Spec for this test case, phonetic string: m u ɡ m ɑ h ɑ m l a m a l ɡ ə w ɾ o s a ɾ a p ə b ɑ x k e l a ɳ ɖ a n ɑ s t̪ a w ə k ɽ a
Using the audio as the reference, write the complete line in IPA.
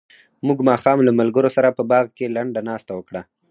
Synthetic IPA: m u ɡ m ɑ x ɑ m l a m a l ɡ ə ɾ o s a ɾ a p ə b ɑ ɣ k e l a ɳ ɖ a n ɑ s t̪ a w ə k ɽ a